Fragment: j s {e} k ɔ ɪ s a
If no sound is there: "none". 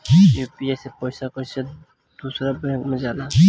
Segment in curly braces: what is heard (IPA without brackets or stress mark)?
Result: a